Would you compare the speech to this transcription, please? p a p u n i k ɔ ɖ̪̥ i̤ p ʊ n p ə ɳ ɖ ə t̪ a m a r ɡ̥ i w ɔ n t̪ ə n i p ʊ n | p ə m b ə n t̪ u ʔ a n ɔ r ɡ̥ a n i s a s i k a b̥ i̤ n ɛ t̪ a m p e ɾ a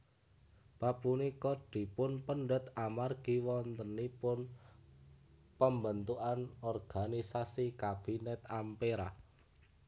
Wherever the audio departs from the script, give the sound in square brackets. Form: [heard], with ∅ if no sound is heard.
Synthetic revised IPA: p a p u n i k ɔ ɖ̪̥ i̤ p ʊ n p ə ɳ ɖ ə t̪ a m a r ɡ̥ i w ɔ n t̪ ə n i p ʊ n | p ə m b ə n t̪ u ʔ a n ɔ r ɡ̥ a n i s a s i k a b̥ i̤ n ɛ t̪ a m p e ɾ a